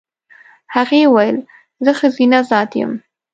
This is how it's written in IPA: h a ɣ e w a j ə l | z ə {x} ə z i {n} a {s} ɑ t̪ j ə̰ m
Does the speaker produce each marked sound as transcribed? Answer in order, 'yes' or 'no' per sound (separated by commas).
yes, yes, no